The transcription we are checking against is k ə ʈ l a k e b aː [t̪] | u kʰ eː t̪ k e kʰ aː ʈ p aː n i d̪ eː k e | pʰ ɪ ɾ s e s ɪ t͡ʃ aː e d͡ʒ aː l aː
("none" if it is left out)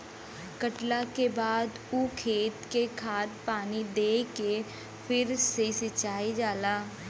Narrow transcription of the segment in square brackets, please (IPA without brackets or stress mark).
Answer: d̪